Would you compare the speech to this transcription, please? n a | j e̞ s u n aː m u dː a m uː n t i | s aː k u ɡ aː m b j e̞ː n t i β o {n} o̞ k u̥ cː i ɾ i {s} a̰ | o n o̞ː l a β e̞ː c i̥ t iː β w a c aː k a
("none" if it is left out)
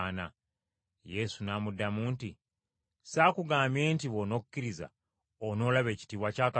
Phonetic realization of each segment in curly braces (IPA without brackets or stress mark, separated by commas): n, z